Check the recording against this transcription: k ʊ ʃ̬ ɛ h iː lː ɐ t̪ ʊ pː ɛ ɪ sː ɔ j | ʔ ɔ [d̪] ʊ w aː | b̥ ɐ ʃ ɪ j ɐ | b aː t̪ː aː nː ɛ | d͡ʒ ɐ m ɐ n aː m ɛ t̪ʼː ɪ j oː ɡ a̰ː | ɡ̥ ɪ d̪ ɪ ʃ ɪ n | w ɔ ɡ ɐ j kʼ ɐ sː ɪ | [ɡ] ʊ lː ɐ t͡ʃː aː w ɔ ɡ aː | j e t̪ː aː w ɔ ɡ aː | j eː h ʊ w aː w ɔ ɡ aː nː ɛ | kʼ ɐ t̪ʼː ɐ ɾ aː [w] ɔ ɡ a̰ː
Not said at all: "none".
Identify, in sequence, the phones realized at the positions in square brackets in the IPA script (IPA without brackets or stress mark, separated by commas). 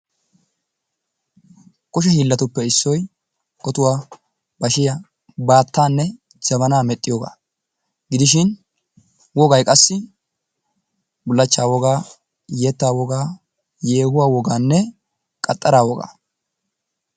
t̪, b, w